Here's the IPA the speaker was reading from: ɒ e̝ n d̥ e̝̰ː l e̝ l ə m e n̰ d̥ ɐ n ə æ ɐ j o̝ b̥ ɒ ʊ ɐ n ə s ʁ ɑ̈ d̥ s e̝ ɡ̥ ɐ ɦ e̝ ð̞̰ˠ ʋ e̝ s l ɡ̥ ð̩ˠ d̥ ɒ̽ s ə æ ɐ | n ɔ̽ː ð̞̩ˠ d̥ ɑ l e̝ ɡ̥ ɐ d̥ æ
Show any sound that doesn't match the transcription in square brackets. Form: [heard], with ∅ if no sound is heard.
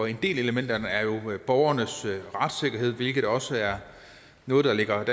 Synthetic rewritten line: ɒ e̝ n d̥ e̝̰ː l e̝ l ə m e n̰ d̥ ɐ n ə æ ɐ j o̝ b̥ ɒ ʊ ɐ n ə s ʁ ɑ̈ d̥ s e̝ ɡ̥ ɐ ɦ e̝ ð̞̰ˠ ʋ e̝ [∅] l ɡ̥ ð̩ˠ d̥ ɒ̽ s ə æ ɐ | n ɔ̽ː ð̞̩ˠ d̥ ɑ l e̝ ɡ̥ ɐ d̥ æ